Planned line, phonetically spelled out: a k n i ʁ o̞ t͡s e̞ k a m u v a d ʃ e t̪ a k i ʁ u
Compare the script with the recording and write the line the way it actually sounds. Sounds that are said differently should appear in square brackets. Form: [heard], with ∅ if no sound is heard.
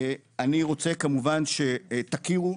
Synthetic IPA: a [∅] n i ʁ o̞ t͡s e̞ k a m u v a [n] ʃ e t̪ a k i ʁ u